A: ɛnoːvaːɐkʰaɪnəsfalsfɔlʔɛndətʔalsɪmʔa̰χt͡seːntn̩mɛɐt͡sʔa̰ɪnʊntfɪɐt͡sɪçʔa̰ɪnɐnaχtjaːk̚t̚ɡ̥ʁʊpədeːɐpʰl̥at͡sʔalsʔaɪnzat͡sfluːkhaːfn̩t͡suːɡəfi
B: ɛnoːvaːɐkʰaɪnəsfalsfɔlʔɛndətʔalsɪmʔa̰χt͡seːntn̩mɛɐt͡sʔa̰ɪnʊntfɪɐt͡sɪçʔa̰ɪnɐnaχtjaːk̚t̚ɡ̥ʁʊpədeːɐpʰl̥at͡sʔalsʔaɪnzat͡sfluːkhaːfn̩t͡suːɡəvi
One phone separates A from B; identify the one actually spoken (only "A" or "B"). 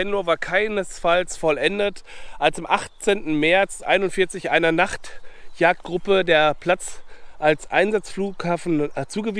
B